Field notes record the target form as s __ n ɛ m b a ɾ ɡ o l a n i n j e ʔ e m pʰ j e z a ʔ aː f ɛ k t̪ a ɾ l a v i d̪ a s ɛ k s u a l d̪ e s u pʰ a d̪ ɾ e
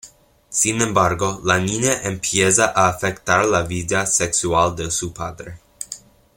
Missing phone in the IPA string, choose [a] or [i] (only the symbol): i